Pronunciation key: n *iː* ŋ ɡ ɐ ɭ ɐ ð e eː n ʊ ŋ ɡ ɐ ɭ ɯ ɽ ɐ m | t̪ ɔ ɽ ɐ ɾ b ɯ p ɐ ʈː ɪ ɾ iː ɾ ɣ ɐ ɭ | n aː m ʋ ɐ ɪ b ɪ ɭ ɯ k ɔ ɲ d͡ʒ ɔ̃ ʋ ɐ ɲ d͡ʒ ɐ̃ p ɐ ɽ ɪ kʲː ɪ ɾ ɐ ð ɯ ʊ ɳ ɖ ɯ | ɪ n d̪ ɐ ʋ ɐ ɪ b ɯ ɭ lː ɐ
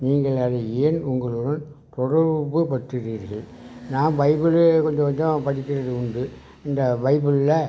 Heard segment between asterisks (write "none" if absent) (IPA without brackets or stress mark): iː